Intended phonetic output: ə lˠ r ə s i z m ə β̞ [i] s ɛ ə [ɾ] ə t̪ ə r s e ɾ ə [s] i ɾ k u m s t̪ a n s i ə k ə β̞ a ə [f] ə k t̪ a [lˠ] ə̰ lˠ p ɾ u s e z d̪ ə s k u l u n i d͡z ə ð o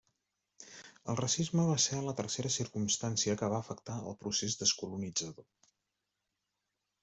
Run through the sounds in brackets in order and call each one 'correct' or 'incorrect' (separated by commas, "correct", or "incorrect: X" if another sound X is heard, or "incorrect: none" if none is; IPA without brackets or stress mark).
incorrect: a, incorrect: l, correct, correct, incorrect: none